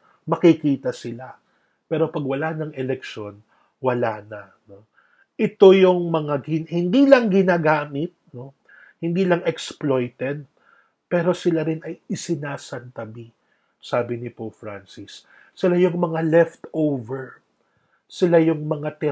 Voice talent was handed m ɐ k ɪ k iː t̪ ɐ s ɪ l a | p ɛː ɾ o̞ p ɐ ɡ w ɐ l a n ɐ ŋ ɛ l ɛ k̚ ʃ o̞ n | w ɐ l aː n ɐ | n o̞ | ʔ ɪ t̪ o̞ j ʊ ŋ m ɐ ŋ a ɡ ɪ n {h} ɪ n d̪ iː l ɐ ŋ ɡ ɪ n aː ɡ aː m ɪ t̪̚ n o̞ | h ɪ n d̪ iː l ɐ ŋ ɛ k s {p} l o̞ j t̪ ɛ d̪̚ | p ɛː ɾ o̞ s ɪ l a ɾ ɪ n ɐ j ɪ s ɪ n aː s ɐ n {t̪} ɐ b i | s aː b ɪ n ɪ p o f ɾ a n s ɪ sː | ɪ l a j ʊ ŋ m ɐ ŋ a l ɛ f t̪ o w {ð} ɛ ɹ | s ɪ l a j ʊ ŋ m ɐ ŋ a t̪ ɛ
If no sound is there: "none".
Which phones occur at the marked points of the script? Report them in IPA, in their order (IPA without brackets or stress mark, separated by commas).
h, p, t̪, v